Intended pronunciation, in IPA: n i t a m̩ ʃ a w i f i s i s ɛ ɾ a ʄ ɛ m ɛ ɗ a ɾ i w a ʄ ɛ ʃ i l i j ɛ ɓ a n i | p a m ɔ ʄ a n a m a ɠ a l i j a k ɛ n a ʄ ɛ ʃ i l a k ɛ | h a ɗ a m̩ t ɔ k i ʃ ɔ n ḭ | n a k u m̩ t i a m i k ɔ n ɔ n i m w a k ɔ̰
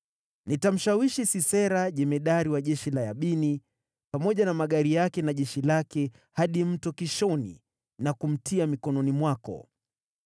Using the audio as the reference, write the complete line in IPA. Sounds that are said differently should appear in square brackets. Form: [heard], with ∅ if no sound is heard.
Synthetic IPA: n i t a m̩ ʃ a w i [ʃ] i s i s ɛ ɾ a ʄ ɛ m ɛ ɗ a ɾ i w a ʄ ɛ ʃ i l [a] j [a] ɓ [i] n i | p a m ɔ ʄ a n a m a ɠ a [ɾ] i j a k ɛ n a ʄ ɛ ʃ i l a k ɛ | h a ɗ [i] m̩ t ɔ k i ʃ ɔ n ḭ | n a k u m̩ t i a m i k ɔ n ɔ n i m w a k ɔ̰